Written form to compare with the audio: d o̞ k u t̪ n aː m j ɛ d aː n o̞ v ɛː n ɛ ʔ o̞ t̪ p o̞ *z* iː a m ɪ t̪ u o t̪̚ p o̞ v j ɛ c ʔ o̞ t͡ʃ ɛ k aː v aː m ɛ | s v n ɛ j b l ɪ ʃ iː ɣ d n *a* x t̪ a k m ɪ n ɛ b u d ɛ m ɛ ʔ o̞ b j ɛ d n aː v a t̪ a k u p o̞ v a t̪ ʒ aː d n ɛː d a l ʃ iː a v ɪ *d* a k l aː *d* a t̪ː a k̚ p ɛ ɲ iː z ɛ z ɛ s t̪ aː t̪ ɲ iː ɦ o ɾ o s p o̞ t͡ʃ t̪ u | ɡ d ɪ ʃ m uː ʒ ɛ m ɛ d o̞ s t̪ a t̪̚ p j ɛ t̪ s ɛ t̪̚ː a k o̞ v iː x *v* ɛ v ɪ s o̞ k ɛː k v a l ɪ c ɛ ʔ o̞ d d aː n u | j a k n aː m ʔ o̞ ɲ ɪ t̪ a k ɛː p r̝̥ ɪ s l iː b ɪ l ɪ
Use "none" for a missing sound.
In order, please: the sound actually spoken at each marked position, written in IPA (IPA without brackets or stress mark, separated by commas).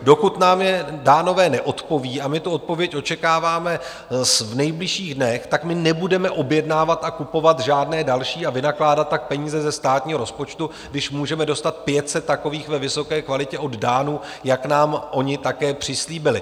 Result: v, ɛ, n, d, v